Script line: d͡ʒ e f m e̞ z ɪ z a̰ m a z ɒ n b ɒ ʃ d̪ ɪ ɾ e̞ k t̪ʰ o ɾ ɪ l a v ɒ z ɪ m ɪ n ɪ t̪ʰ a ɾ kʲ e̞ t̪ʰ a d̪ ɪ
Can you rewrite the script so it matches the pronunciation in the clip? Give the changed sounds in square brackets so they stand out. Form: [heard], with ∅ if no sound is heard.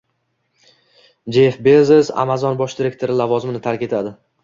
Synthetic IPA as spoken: d͡ʒ e f [b] e̞ z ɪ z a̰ m a z ɒ n b ɒ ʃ d̪ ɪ ɾ e̞ k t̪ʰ o ɾ ɪ l a v ɒ z ɪ m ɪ n ɪ t̪ʰ a ɾ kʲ e̞ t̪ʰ a d̪ ɪ